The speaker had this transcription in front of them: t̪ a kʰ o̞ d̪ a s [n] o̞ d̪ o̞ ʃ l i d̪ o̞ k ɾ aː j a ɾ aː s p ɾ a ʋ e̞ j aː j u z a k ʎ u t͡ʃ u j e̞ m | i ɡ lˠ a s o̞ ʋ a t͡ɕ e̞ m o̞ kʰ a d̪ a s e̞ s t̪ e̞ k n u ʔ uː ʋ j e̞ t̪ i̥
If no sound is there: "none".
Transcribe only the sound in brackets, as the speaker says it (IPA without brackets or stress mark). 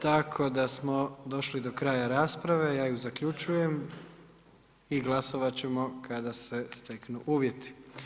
m